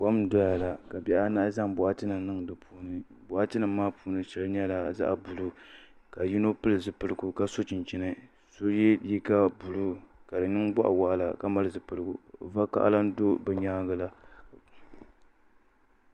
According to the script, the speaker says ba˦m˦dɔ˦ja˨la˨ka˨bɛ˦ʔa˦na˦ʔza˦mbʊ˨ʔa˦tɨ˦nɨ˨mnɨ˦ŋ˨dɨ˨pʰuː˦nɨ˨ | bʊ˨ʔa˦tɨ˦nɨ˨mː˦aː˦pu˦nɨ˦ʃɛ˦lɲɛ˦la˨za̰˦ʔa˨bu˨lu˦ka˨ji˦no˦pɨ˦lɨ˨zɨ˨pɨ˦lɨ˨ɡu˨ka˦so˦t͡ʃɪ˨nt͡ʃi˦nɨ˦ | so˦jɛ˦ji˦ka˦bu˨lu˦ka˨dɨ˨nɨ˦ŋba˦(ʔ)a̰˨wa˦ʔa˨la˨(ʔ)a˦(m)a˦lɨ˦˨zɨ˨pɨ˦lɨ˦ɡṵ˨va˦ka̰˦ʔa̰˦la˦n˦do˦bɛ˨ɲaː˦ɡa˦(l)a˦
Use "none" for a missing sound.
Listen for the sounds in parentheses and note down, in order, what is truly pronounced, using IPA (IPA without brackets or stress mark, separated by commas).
ʔ, k, m, l